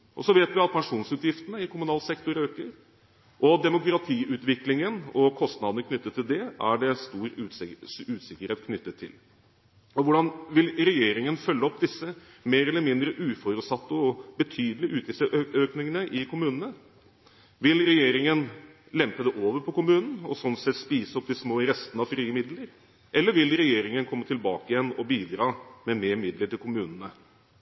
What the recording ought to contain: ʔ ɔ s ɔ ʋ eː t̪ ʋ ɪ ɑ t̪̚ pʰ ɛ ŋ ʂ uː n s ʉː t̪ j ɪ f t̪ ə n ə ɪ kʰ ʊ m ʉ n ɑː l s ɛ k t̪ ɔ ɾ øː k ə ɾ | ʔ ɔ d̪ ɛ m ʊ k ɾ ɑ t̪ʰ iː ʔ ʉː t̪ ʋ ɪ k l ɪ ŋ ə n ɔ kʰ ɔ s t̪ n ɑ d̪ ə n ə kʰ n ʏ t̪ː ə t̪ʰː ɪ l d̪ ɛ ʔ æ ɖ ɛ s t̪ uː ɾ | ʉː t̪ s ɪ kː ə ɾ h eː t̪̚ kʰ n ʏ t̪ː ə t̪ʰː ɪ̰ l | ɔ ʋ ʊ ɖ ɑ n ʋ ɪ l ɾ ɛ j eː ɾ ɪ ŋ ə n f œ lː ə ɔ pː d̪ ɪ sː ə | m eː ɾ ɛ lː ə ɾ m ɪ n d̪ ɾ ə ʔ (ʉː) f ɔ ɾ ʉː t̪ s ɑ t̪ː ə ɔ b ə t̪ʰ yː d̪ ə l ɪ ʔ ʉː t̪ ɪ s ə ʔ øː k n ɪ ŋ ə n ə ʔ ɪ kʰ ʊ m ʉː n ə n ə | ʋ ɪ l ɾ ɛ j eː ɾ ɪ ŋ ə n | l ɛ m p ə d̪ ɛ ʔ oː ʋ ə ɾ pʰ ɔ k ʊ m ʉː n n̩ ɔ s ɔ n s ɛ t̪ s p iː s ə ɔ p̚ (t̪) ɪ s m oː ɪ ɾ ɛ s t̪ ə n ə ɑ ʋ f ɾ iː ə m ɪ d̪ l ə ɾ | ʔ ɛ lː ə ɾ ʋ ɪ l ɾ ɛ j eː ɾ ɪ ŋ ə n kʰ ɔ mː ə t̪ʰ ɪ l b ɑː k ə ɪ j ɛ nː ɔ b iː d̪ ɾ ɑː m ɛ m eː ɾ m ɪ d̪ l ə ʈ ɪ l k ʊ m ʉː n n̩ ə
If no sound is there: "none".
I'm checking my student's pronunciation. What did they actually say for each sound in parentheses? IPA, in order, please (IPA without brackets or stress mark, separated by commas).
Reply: ʉː, d̪